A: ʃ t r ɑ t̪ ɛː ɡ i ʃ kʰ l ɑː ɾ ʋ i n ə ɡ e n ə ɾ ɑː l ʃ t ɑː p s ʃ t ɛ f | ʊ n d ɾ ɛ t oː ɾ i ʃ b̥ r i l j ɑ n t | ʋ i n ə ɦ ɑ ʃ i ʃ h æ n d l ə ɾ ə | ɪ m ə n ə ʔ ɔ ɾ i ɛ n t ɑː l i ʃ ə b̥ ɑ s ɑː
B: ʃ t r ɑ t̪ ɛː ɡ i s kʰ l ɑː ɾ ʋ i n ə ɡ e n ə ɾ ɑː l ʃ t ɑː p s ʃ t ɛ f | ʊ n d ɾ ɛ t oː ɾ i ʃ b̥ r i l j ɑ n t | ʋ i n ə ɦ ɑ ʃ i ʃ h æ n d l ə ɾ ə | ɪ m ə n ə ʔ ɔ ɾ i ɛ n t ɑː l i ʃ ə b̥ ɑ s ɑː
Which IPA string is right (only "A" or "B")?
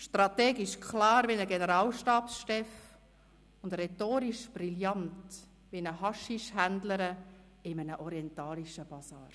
A